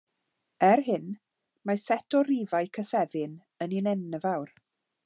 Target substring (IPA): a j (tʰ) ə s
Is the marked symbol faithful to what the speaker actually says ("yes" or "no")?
no